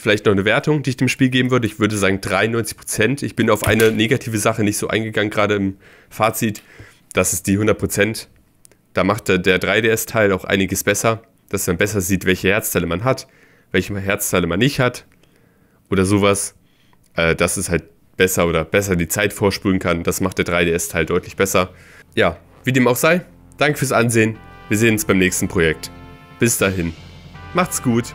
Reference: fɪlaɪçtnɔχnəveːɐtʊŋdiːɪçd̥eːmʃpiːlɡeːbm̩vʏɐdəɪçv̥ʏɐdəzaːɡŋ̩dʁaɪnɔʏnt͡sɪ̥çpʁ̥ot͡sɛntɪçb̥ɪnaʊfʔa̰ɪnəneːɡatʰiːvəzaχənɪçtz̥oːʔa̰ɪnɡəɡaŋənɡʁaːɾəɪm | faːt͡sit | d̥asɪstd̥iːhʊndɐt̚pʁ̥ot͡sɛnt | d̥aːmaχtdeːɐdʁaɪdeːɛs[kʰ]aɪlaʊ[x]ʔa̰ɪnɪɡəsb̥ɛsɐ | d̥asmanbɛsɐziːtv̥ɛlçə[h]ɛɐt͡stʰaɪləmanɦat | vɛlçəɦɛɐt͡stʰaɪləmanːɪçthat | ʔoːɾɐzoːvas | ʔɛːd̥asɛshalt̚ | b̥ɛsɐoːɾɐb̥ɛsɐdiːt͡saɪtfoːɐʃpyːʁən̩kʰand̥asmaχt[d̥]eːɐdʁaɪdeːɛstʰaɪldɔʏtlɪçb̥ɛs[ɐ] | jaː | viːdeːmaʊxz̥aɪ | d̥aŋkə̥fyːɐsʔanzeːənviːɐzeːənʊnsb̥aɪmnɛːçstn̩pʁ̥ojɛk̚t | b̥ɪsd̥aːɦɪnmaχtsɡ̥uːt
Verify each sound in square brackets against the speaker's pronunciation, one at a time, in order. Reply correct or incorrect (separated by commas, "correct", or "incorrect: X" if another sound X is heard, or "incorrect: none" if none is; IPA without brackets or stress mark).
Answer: incorrect: tʰ, correct, correct, correct, correct